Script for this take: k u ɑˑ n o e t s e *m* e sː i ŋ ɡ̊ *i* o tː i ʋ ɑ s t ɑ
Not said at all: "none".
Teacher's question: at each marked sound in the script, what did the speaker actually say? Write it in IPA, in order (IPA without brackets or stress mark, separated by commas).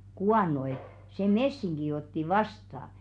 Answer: m, i